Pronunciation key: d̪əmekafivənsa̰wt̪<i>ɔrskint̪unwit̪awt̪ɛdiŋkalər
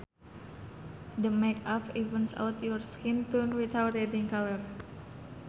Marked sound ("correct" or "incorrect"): incorrect